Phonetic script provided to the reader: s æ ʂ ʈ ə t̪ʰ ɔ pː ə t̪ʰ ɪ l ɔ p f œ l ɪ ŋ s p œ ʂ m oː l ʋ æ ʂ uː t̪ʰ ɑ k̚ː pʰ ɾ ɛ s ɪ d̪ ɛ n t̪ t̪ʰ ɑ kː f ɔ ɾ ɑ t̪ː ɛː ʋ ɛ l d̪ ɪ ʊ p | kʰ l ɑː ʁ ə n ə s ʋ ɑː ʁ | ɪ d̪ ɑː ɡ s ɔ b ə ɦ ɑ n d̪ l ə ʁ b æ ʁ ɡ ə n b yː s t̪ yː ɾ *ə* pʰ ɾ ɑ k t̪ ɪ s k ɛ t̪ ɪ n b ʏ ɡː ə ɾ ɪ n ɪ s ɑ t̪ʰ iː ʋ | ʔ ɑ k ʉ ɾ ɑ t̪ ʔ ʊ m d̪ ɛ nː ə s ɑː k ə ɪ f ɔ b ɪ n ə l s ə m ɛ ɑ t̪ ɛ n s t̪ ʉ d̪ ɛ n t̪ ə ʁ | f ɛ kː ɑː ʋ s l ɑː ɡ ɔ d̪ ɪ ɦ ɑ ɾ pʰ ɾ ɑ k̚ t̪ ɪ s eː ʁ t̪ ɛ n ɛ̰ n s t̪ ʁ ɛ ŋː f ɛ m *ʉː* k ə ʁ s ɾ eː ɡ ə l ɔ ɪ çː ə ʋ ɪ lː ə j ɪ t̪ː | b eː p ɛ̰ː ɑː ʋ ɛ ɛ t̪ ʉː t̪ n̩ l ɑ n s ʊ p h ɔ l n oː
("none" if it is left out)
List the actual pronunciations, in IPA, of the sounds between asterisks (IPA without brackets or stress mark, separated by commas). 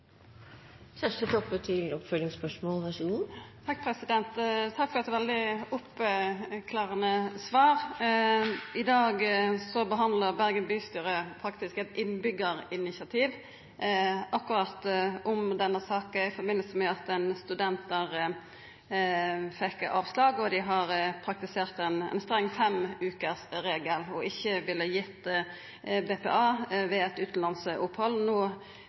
ə, ʉː